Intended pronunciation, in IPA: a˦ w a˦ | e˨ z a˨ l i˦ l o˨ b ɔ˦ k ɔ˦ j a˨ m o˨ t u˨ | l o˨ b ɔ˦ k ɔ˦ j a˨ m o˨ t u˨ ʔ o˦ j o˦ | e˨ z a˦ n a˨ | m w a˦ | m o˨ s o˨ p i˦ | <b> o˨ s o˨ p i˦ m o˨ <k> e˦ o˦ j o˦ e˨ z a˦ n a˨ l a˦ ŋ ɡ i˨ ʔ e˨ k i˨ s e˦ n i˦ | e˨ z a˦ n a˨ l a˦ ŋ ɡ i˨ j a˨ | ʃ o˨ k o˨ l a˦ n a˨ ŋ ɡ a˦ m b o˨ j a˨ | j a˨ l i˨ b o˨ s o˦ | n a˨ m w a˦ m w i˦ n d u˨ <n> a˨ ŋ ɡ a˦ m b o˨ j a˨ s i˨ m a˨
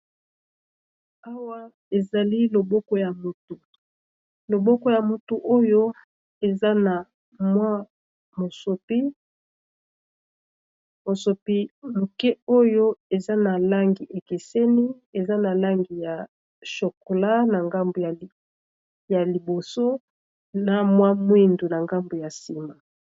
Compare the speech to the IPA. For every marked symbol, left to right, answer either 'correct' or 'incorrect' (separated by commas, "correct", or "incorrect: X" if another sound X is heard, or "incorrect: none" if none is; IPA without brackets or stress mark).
incorrect: m, correct, correct